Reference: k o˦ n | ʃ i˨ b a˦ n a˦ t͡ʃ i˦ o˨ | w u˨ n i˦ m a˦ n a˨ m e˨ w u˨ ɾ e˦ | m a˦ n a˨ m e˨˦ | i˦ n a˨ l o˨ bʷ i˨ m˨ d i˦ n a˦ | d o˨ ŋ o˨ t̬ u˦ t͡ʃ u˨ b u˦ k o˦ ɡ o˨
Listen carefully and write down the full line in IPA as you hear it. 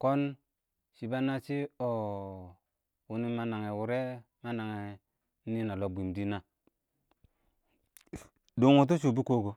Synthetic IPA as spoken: k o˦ n | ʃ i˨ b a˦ n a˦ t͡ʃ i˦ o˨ | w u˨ n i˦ m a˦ n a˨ ŋ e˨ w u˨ ɾ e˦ | m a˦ n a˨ ŋ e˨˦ | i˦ n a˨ l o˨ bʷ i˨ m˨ d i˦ n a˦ | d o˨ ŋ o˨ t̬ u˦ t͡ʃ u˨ b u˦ k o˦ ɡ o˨

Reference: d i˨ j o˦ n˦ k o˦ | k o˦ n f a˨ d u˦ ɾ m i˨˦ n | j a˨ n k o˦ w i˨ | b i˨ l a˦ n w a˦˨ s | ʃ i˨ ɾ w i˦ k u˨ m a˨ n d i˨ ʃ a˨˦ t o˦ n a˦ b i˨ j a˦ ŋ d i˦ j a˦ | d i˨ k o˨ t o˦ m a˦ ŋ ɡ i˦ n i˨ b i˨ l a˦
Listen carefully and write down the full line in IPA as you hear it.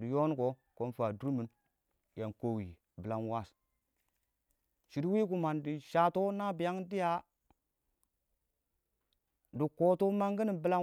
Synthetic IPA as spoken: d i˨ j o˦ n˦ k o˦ | k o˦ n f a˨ d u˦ ɾ m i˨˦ n | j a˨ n k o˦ w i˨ | b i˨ l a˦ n w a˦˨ s | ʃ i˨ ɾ w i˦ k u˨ m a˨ n d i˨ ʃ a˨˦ t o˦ n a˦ b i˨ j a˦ ŋ d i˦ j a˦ | d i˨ k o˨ t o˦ m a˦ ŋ ɡ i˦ n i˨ b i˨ l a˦

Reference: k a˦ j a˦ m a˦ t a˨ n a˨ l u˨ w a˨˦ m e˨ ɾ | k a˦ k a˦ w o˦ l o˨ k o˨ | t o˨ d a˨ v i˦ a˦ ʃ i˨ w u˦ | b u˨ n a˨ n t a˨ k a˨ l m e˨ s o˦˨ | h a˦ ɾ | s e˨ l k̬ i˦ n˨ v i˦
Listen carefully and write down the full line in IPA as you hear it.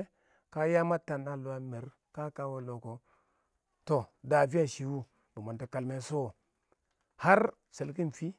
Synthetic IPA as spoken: k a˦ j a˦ m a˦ t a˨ n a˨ l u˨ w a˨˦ m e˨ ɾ | k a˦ k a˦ w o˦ l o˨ k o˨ | t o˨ d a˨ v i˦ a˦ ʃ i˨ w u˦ | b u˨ m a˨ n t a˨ k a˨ l m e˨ s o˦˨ | h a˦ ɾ | s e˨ l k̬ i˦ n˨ f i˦

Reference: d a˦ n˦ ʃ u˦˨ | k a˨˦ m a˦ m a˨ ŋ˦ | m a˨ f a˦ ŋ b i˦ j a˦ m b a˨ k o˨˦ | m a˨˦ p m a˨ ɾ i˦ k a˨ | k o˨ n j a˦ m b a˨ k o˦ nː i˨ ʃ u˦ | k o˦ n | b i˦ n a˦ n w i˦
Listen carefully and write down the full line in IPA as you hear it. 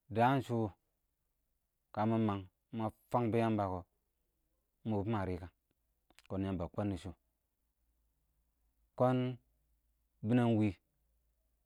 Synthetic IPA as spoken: d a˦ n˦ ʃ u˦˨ | k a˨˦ m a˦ m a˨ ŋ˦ | m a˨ f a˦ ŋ b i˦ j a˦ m b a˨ k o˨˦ | m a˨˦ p m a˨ ɾ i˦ k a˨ | k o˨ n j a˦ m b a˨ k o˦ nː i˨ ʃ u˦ | k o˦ n | b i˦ n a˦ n w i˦

